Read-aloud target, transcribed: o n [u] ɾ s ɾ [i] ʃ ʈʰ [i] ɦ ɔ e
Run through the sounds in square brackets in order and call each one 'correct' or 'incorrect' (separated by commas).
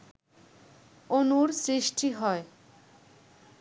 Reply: correct, correct, correct